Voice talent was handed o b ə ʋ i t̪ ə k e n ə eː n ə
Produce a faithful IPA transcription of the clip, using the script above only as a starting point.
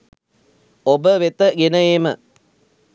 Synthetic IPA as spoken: o b ə ʋ e t̪ ə ɡ e n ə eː m ə